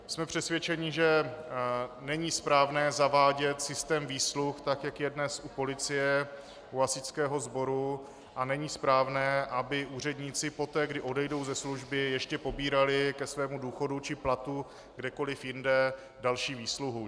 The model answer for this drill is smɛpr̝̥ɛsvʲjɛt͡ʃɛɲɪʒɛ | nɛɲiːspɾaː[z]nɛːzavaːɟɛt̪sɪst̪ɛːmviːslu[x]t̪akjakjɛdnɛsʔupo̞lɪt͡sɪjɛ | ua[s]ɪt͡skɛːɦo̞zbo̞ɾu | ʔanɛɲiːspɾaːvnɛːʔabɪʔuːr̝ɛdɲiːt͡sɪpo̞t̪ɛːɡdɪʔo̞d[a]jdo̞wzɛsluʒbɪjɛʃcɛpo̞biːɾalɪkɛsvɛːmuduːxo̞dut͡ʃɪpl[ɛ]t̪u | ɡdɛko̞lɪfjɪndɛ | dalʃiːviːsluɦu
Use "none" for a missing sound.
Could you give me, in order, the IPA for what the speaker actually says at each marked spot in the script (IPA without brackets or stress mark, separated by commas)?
v, x, s, ɛ, a